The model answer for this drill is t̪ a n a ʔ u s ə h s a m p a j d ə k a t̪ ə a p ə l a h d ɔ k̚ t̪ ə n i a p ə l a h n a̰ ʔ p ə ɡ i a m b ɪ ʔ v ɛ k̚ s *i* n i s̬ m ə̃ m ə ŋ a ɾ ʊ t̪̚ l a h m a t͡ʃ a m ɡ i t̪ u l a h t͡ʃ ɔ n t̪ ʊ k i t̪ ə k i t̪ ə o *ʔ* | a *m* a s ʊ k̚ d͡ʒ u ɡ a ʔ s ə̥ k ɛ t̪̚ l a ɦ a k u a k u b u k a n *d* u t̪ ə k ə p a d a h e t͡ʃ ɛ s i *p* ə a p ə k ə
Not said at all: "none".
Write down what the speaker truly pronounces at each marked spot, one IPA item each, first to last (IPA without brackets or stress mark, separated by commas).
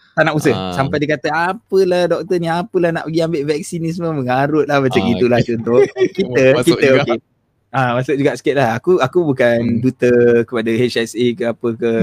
i, k, m, d, k